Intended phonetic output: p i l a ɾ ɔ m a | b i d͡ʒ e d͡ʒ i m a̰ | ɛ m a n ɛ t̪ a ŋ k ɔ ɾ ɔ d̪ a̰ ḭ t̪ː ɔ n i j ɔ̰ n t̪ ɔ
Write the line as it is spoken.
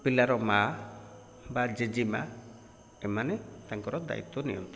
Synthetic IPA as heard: p i l a ɾ ɔ m a | b a d͡ʒ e d͡ʒ i m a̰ | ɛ m a n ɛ t̪ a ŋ k ɔ ɾ ɔ d̪ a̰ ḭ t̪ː ɔ n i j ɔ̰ n t̪ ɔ

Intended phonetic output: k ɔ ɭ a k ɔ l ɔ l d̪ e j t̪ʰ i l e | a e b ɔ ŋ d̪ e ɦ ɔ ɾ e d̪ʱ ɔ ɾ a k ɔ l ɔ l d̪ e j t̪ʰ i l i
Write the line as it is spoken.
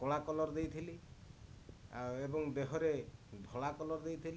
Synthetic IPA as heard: k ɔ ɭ a k ɔ l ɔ ɾ d̪ e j t̪ʰ i l i | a e b ɔ ŋ d̪ e ɦ ɔ ɾ e d̪ʱ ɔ ɭ a k ɔ l ɔ ɾ d̪ e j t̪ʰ i l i

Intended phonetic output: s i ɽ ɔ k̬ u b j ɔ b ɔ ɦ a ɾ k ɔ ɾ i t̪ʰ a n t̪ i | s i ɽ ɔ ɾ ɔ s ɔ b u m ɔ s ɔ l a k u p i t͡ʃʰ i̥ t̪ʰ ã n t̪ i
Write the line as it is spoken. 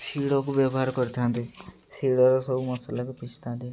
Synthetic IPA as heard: s i ɽ ɔ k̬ u b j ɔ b ɔ ɦ a ɾ k ɔ ɾ i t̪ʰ a n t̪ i | s i ɽ ɔ ɾ ɔ s ɔ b u m ɔ s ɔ l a k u p i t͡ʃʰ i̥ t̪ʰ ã n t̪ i

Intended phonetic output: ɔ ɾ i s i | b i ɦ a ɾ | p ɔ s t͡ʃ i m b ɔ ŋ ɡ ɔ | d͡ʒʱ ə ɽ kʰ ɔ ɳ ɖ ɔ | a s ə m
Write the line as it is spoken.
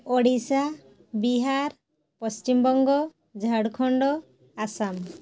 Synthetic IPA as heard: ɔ ɽ i s a | b i ɦ a ɾ | p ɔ s t͡ʃ i m b ɔ ŋ ɡ ɔ | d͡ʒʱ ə ɽ kʰ ɔ ɳ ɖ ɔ | a s a m

